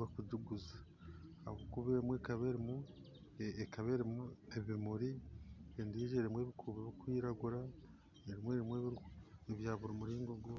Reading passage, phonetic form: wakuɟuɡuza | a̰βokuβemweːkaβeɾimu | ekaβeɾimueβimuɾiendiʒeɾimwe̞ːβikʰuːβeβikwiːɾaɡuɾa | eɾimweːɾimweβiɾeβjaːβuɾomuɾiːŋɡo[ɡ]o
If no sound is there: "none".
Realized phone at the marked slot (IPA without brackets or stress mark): ɡ